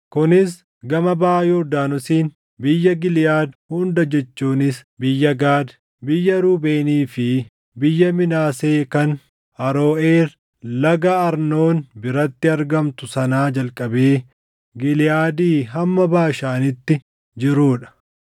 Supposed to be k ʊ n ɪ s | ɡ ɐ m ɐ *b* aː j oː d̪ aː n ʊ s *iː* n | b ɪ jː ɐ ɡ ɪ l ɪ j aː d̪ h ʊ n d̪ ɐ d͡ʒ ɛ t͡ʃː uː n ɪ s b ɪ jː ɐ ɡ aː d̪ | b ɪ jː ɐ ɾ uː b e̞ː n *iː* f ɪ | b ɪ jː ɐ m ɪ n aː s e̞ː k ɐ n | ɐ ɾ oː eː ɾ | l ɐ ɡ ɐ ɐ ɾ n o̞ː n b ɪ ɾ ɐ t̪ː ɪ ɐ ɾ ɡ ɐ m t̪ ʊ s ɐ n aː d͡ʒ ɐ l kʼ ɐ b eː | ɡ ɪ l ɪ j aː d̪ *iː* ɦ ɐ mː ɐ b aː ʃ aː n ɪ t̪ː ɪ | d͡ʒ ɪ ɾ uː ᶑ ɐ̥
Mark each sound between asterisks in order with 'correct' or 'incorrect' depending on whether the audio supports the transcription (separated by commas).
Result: correct, correct, correct, correct